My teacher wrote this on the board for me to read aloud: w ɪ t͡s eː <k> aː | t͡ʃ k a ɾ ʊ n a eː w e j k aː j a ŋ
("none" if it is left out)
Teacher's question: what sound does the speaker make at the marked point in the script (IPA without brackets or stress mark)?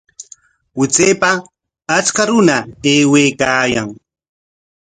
p